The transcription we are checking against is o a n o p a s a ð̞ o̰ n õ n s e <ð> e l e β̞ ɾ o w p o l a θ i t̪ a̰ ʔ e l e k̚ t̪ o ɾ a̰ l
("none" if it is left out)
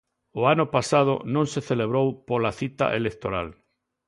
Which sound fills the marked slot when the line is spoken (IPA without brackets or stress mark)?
θ